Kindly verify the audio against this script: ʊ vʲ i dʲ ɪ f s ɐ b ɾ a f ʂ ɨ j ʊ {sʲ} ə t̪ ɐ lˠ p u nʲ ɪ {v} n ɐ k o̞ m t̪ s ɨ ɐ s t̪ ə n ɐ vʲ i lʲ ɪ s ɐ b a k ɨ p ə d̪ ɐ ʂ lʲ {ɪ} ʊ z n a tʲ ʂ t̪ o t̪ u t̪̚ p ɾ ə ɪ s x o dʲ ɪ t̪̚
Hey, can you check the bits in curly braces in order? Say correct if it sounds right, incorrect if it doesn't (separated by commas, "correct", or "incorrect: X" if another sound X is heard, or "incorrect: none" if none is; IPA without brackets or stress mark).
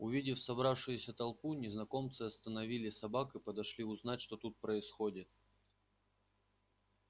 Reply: correct, incorrect: z, incorrect: i